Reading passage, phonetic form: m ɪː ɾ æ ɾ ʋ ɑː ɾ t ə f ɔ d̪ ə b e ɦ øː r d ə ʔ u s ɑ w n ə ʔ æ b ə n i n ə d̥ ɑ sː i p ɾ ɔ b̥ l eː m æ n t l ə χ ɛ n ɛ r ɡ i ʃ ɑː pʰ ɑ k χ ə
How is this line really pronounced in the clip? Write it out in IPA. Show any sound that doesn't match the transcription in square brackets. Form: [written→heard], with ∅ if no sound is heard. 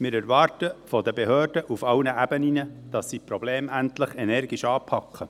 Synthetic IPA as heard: m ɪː ɾ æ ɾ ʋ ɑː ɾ t ə f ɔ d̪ ə b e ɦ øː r d ə ʔ u [s→f] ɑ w n ə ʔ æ b ə n i n ə d̥ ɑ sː i p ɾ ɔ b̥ l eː m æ n t l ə χ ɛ n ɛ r ɡ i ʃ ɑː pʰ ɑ k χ ə

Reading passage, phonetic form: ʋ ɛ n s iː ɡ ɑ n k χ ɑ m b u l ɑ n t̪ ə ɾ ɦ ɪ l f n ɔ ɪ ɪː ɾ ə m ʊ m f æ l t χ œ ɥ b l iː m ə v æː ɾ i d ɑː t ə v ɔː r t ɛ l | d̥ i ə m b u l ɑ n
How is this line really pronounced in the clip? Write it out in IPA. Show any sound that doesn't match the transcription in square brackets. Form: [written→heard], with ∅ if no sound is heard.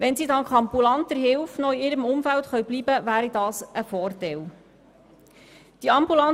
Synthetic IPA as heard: ʋ ɛ n s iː [ɡ→d] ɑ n k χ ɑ m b u l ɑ n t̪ ə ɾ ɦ ɪ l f n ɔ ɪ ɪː ɾ ə m ʊ m f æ l t χ œ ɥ b l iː [m→b] ə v æː ɾ i d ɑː [t→s] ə [v→f] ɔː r t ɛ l | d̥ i [ə→ɑ] m b u l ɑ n

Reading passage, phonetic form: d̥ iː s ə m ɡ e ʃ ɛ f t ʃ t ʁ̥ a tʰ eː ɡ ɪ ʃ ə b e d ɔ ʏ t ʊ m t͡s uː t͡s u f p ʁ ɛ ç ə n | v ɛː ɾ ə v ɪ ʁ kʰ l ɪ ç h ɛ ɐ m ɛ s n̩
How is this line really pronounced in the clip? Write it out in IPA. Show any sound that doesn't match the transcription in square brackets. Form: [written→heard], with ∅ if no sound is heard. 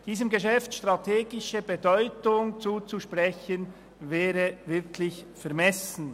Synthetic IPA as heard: d̥ iː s ə m ɡ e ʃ ɛ f t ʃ t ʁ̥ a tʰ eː ɡ ɪ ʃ ə b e d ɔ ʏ t ʊ [m→ŋ] t͡s uː t͡s u [f→ʃ] p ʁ ɛ ç ə n | v ɛː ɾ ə v ɪ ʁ kʰ l ɪ ç [h→f] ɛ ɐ m ɛ s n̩

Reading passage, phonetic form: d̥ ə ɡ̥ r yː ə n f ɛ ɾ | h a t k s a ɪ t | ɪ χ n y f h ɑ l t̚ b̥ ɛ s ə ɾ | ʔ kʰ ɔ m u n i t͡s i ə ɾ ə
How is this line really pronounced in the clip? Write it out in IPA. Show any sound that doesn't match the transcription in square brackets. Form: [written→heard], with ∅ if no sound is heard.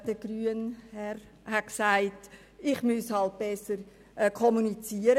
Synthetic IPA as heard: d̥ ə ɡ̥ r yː ə n [f→h] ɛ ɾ | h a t k s a ɪ t | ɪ χ [n→m] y [f→s] h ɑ l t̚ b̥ ɛ s ə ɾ | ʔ kʰ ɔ m u n i t͡s i ə ɾ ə

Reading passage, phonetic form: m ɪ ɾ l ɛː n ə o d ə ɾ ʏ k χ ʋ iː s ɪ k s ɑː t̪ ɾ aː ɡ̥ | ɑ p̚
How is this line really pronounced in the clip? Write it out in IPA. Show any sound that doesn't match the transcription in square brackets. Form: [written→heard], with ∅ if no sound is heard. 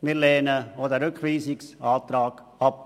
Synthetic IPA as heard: m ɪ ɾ l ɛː n ə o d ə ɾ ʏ k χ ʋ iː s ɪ k s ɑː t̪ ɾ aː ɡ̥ | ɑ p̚

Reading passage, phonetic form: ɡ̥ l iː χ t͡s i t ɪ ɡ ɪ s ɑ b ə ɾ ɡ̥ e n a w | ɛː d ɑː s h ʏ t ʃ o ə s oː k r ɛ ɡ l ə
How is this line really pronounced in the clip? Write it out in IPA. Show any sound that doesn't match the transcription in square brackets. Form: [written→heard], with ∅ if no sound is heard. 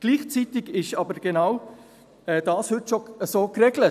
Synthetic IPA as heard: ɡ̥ l iː χ t͡s i t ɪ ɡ ɪ [s→ʃ] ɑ b ə ɾ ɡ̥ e n a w | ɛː d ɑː s h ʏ t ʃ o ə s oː k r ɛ ɡ l ə

